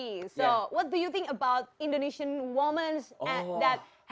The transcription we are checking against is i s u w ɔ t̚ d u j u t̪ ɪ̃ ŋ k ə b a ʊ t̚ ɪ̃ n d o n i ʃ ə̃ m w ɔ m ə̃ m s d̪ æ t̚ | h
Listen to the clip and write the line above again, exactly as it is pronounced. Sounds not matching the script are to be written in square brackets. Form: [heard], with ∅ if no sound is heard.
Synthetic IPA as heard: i s [o] w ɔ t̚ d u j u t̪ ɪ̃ ŋ k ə b a ʊ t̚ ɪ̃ n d o n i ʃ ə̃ [n] w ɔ m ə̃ [n] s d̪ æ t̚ | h